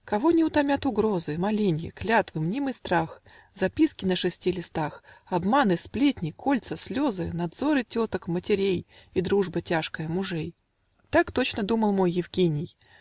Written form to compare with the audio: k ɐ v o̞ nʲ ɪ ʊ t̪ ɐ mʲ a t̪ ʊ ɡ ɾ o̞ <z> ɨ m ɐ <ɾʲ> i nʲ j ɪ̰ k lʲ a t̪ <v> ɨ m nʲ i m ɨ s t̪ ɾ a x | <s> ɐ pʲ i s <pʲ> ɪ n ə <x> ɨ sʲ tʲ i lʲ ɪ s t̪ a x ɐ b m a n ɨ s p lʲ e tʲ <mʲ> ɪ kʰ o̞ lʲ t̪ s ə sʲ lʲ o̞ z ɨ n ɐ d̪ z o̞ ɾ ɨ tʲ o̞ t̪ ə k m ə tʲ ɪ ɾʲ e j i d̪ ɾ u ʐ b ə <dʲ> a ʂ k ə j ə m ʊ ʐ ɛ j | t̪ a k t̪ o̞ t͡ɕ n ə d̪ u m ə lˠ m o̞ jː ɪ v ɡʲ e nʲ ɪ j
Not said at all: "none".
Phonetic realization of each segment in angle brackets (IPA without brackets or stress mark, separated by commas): z, lʲ, v, z, kʲ, ʂ, nʲ, tʲ